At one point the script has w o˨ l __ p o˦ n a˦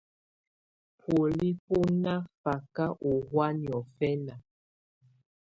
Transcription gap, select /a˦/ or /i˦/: i˦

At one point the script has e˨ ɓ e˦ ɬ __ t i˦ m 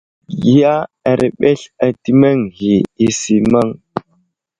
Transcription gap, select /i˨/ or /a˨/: a˨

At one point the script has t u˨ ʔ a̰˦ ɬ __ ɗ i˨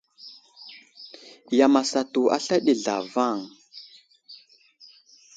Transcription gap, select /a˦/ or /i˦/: a˦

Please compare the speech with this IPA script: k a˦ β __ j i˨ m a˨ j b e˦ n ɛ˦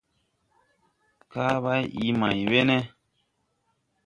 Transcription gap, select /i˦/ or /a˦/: a˦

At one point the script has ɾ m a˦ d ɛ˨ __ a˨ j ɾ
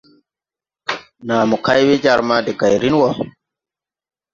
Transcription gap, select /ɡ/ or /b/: ɡ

